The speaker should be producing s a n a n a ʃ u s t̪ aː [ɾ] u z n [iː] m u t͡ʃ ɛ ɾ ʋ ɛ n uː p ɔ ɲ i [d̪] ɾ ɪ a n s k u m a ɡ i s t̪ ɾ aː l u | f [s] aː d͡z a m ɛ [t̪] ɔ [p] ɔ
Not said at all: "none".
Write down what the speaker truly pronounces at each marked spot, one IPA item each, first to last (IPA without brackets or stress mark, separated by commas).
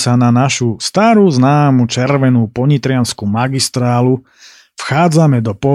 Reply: ɾ, aː, t̪, x, d̪, p